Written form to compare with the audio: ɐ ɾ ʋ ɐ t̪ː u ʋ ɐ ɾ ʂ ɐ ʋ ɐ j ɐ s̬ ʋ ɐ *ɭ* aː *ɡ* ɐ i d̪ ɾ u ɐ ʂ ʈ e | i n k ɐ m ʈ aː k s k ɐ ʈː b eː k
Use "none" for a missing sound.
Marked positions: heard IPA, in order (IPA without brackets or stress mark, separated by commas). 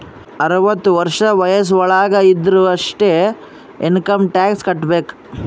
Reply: ɭ, ɡ